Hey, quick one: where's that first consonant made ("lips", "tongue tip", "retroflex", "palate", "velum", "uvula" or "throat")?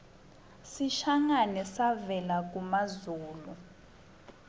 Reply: tongue tip